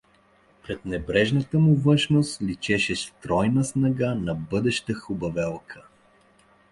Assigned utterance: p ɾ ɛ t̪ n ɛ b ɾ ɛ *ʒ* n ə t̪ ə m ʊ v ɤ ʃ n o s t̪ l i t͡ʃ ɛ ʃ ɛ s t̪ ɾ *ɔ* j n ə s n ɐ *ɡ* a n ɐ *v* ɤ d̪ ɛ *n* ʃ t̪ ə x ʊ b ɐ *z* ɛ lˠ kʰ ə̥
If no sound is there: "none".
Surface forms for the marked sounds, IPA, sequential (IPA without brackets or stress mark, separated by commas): ʒ, ɔ, ɡ, b, none, v